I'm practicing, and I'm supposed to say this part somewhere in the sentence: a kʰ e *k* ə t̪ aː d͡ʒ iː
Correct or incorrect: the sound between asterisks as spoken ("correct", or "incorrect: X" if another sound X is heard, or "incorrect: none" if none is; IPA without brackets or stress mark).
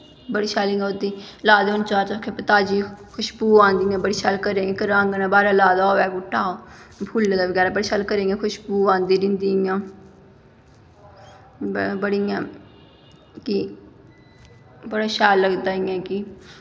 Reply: incorrect: p